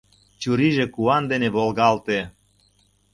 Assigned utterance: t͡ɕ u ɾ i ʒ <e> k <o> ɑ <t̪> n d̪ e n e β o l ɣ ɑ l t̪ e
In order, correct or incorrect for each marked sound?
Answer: correct, incorrect, incorrect

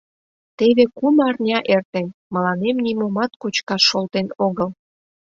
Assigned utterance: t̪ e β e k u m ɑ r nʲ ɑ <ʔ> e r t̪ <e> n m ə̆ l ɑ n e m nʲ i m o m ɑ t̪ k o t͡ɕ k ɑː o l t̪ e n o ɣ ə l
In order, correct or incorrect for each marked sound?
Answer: correct, correct

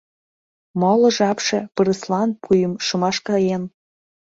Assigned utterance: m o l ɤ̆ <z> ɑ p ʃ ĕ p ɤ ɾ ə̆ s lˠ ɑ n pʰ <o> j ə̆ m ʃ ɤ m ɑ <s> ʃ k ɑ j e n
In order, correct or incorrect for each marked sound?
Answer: incorrect, incorrect, incorrect

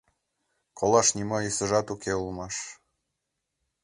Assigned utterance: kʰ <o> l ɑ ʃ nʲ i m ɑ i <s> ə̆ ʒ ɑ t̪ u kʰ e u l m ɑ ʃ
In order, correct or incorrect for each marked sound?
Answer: correct, correct

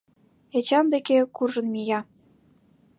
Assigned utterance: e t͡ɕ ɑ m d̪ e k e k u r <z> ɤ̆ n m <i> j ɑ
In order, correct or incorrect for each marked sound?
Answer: incorrect, correct

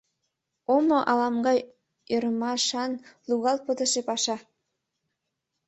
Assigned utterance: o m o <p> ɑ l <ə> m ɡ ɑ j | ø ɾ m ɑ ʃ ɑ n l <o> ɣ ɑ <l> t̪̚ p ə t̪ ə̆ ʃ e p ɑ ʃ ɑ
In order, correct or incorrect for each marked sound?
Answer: incorrect, incorrect, incorrect, correct

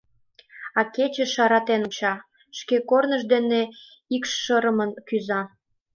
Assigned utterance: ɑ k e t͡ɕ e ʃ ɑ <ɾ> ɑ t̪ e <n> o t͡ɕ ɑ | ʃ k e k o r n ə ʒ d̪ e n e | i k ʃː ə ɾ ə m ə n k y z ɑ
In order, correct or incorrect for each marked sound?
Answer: correct, correct

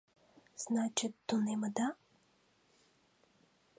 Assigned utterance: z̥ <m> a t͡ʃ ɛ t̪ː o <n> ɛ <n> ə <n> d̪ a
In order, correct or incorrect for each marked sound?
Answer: incorrect, correct, incorrect, incorrect

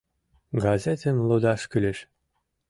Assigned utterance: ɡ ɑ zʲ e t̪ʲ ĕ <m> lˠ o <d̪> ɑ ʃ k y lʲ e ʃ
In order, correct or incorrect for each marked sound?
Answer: incorrect, correct

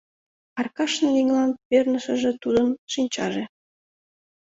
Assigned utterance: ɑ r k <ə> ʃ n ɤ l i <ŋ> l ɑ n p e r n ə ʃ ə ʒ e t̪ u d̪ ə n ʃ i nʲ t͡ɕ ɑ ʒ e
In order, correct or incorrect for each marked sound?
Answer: incorrect, correct

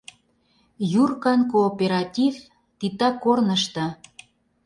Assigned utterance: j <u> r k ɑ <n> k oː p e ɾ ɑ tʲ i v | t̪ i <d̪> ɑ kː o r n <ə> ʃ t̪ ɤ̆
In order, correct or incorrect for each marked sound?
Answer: correct, correct, incorrect, correct

